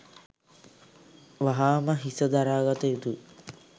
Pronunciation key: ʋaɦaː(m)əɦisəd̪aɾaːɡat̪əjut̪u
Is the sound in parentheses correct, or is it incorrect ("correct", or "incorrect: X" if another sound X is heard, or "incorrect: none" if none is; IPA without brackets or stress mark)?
correct